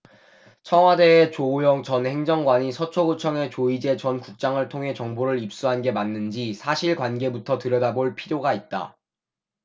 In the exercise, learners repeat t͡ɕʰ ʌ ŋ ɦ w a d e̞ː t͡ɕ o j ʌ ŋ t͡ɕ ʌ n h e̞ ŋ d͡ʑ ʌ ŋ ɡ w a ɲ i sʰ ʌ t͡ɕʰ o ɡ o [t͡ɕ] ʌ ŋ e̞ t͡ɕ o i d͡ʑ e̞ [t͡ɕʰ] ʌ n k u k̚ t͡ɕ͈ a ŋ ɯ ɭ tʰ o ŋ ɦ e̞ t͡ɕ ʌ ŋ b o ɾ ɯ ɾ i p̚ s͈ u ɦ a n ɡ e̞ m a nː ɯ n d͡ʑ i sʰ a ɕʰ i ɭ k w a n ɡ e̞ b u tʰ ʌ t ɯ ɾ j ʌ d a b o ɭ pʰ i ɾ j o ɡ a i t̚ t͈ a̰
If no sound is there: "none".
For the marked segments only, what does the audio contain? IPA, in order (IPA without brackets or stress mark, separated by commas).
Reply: t͡ɕʰ, t͡ɕ